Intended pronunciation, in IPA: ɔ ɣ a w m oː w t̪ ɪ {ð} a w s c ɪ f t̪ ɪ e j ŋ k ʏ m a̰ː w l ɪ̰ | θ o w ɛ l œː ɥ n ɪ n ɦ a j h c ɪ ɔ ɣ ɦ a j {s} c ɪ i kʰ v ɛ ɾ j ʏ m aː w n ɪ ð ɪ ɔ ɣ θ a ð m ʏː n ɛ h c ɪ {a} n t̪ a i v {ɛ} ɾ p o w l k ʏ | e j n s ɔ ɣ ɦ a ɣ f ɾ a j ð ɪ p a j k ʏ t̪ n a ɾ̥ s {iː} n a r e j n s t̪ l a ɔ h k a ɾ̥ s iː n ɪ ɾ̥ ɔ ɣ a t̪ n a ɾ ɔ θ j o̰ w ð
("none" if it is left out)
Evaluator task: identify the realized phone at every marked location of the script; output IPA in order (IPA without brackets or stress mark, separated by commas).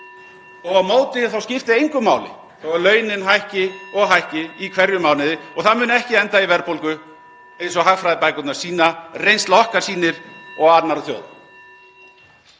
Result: θ, h, ɛ, ɛ, iː